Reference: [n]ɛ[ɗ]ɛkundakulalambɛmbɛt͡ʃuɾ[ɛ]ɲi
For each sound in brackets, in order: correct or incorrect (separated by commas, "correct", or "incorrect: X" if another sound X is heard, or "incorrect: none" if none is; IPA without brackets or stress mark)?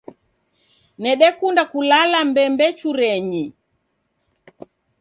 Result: correct, correct, correct